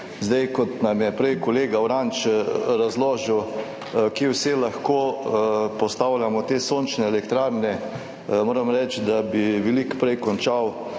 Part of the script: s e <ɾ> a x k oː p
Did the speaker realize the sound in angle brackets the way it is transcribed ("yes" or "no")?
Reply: no